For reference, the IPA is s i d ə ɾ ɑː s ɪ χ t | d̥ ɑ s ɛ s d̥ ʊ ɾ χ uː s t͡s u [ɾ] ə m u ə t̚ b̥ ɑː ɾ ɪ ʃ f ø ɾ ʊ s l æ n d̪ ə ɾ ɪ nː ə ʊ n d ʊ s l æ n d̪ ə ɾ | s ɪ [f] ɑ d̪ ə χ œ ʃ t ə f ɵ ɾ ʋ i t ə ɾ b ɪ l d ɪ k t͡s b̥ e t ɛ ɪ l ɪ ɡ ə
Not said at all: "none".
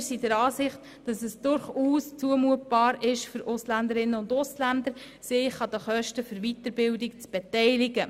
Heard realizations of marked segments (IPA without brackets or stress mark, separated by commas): none, χ